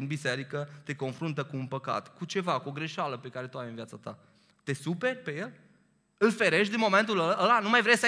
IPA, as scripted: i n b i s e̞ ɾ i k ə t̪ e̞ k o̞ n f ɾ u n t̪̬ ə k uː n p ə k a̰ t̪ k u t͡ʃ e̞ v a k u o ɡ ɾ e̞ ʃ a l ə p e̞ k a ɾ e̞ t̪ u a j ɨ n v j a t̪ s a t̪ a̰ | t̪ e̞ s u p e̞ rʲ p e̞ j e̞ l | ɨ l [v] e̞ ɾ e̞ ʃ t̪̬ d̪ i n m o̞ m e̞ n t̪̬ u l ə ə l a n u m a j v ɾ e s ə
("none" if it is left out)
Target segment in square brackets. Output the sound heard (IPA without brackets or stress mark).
f